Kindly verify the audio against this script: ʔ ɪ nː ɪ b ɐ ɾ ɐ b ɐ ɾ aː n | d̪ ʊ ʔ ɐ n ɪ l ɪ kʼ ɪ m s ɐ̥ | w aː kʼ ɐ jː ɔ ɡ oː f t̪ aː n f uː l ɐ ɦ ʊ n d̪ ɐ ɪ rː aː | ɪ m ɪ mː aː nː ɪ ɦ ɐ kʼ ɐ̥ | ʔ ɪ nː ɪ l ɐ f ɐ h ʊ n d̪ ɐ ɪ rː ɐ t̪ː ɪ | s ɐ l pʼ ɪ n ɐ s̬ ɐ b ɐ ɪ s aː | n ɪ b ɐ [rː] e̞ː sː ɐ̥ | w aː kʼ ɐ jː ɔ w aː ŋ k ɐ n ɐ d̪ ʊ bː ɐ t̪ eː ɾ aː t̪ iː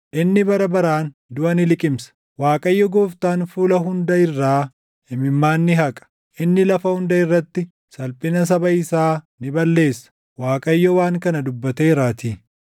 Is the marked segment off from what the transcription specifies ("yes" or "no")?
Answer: yes